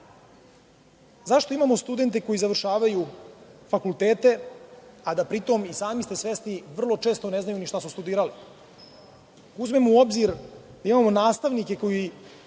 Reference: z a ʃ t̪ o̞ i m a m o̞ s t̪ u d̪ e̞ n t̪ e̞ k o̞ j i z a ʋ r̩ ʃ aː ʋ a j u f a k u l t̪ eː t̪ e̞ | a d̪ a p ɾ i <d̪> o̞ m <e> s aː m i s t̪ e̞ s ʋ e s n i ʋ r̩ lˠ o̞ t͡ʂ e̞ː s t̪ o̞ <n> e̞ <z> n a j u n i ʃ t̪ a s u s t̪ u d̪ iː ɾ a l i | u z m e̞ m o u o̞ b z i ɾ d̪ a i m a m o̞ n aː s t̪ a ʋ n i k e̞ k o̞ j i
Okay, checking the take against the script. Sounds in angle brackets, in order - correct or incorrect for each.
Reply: incorrect, incorrect, correct, correct

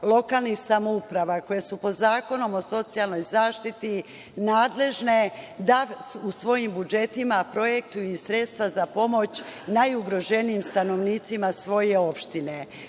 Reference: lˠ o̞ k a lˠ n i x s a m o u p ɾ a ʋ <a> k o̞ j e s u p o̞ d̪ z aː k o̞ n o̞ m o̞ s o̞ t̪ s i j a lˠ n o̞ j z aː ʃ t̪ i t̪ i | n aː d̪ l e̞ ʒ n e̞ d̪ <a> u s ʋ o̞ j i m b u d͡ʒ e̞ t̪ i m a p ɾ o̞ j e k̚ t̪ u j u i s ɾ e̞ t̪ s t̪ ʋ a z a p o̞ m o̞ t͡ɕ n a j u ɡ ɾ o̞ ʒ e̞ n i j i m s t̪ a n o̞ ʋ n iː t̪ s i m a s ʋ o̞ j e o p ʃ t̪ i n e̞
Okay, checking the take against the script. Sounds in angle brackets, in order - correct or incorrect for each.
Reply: correct, correct

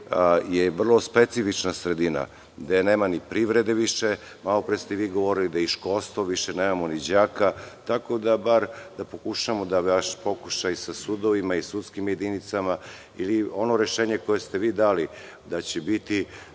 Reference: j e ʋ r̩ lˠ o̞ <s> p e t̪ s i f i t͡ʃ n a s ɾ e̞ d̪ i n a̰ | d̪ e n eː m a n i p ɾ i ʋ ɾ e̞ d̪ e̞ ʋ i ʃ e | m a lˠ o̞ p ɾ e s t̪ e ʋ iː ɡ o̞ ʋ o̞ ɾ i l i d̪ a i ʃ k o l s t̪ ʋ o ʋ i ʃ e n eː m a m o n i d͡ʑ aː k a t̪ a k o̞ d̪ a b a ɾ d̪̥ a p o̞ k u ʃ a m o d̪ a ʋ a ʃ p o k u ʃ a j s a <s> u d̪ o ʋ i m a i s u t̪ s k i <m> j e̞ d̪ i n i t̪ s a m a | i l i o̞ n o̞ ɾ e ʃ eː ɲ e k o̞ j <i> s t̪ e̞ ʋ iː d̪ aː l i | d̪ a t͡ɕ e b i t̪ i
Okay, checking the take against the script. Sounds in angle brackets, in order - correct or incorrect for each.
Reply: correct, correct, correct, incorrect

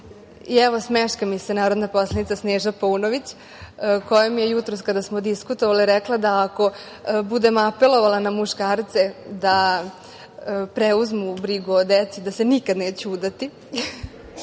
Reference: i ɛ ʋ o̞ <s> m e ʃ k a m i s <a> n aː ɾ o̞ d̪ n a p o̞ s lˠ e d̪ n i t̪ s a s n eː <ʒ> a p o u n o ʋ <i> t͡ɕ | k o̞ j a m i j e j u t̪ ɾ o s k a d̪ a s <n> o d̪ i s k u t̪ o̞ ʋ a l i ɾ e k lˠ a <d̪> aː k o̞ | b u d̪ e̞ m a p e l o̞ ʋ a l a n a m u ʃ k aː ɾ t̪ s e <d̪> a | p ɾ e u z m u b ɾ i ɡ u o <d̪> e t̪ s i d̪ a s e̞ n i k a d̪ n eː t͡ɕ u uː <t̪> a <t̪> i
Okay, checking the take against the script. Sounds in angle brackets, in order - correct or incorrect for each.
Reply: correct, incorrect, correct, correct, incorrect, correct, correct, correct, incorrect, correct

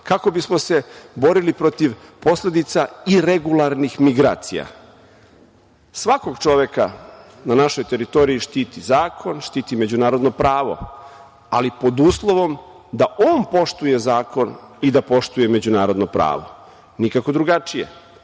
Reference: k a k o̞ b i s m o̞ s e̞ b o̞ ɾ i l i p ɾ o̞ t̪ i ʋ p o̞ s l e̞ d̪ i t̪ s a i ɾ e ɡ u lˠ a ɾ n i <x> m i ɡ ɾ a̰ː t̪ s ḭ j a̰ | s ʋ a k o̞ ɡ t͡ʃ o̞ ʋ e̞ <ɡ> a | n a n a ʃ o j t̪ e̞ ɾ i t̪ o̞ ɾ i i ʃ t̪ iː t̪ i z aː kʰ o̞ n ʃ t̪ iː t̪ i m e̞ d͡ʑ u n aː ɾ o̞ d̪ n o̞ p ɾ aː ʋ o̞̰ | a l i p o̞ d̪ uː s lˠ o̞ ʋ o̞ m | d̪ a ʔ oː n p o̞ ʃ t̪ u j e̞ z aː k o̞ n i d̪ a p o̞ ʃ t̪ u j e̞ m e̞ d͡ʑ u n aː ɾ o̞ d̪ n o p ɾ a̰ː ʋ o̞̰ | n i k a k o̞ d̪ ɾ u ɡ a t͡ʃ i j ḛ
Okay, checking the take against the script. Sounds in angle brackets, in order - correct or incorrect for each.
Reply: correct, incorrect

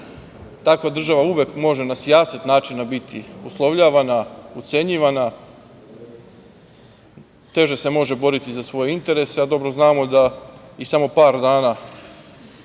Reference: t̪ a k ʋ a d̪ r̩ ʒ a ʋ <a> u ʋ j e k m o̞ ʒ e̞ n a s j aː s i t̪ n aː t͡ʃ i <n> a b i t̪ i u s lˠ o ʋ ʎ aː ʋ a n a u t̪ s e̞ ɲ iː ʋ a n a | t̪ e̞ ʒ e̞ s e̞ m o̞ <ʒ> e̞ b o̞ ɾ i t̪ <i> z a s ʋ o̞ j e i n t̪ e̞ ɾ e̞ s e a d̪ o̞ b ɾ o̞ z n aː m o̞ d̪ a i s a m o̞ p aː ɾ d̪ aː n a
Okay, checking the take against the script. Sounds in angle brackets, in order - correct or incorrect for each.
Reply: correct, correct, correct, correct

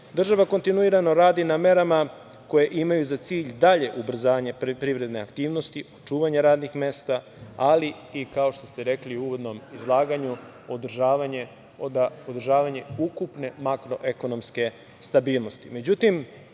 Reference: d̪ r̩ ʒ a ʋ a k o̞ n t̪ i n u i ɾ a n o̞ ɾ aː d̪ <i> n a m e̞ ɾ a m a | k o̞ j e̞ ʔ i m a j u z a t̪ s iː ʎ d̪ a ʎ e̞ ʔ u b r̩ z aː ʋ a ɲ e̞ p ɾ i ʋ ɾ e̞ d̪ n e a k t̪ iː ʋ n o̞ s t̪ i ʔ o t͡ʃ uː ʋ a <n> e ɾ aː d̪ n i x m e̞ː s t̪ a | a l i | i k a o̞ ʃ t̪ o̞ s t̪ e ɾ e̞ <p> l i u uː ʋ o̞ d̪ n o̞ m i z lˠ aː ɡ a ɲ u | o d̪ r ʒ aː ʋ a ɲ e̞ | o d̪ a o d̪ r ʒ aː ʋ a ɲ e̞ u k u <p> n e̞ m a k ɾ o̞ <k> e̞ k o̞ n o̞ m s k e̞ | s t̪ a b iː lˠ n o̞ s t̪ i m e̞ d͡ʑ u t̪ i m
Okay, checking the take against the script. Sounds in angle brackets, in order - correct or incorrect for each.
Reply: correct, incorrect, incorrect, correct, incorrect

